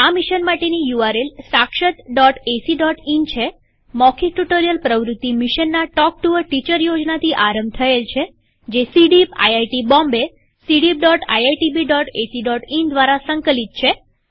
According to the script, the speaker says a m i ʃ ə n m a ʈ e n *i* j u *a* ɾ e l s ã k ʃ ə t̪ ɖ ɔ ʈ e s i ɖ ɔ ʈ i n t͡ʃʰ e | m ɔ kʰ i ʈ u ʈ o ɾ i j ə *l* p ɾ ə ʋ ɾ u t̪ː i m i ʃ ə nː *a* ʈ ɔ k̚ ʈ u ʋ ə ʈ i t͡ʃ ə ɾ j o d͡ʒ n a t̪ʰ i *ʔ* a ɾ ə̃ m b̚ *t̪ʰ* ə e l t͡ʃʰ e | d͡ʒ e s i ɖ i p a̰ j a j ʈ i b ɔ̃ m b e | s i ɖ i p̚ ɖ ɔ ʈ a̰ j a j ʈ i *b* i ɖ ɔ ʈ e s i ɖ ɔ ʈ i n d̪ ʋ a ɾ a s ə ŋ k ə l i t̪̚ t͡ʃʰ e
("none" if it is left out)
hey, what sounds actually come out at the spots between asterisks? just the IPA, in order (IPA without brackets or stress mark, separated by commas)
i, a, l, a, ʔ, t̪ʰ, b